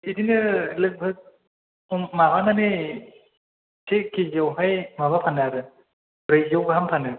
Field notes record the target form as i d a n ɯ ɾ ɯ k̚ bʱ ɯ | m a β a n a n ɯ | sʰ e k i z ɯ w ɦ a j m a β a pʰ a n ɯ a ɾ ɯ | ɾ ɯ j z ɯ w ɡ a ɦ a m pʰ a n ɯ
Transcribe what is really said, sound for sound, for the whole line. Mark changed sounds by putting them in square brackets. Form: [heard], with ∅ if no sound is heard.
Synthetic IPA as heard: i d [i] n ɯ [l] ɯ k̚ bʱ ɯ | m a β a n a n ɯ | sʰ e k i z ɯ w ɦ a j m a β a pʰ a n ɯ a ɾ ɯ | ɾ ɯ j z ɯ w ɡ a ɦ a m pʰ a n ɯ